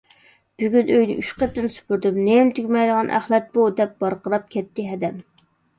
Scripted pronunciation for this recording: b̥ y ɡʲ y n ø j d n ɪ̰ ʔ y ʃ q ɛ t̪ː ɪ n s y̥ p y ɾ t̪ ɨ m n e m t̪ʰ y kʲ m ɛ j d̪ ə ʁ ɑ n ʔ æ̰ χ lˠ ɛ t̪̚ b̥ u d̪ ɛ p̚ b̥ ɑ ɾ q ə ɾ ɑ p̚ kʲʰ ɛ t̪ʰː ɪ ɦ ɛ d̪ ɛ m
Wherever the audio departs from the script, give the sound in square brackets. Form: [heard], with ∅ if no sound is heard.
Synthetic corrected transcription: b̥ y ɡʲ y n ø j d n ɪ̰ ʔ y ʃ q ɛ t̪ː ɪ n s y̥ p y ɾ [d̪] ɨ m n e m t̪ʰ y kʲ m ɛ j d̪ ə ʁ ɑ n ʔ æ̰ χ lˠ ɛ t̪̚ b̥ u d̪ ɛ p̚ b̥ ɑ ɾ q ə ɾ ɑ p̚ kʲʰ ɛ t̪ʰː ɪ ɦ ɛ d̪ ɛ m